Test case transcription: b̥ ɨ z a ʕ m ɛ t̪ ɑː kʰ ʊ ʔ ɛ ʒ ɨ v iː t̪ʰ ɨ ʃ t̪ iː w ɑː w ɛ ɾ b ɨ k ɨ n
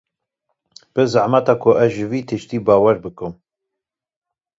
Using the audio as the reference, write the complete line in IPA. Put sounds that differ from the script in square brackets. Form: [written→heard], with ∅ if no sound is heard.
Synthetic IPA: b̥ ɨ z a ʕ m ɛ t̪ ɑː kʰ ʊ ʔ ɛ ʒ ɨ v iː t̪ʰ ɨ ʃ t̪ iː [w→b] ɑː w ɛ ɾ b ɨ k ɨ [n→m]